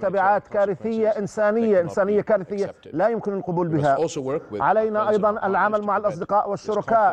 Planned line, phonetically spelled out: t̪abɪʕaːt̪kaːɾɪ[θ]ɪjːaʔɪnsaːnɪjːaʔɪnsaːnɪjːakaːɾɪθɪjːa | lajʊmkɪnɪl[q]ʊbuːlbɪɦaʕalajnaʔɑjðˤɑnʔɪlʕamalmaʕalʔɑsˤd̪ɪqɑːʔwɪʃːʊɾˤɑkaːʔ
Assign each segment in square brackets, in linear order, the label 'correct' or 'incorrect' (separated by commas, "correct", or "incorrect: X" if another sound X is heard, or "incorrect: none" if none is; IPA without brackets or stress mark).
correct, correct